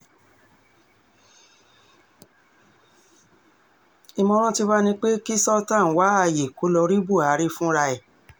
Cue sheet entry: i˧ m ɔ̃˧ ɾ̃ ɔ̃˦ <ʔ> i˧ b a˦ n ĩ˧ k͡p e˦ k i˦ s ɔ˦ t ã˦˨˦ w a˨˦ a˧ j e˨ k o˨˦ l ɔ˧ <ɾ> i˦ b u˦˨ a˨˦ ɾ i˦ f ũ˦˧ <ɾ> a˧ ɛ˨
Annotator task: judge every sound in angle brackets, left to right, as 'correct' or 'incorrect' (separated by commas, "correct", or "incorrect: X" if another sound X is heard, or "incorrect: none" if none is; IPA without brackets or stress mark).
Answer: incorrect: t, correct, correct